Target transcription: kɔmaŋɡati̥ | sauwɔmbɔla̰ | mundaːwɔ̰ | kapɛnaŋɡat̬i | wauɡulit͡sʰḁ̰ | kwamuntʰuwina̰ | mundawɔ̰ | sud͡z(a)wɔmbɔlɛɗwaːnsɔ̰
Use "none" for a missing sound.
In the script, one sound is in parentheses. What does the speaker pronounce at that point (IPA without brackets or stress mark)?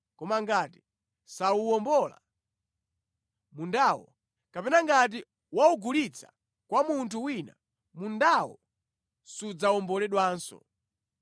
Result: a